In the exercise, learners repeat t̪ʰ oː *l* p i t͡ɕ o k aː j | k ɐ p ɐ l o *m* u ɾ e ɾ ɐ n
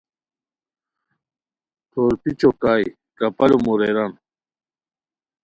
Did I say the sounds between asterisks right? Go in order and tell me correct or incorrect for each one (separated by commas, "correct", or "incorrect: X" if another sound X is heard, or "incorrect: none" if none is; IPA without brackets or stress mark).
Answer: incorrect: ɾ, correct